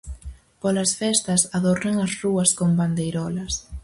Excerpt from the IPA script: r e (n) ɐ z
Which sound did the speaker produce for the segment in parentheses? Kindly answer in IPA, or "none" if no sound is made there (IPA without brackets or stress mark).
ŋ